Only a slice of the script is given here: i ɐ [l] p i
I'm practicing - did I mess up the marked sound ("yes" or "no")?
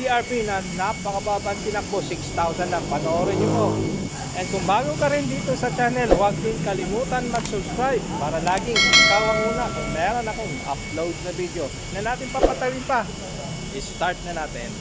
yes